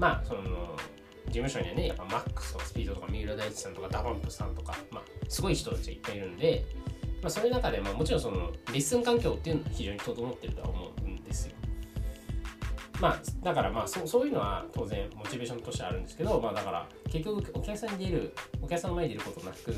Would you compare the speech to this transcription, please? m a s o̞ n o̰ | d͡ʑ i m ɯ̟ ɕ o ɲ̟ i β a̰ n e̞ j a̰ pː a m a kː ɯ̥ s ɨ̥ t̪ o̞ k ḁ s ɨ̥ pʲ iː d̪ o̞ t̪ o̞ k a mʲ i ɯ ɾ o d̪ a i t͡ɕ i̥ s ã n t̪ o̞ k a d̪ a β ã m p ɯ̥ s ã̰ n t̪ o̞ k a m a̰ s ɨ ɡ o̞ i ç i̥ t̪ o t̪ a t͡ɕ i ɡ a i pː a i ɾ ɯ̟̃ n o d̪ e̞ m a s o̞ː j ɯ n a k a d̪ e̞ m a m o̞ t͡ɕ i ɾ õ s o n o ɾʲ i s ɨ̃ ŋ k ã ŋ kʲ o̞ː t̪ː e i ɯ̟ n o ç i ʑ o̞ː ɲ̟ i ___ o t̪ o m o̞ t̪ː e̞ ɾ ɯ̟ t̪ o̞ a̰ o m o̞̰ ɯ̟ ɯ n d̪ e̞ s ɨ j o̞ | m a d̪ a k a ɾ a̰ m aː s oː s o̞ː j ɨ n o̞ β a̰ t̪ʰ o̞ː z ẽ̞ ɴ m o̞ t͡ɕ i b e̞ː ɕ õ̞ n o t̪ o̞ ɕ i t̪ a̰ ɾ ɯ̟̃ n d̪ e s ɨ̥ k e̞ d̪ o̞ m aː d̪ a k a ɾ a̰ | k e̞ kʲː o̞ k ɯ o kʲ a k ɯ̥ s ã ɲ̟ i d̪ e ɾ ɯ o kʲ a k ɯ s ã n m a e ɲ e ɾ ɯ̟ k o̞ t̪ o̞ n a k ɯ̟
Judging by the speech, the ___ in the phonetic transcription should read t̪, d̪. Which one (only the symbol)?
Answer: t̪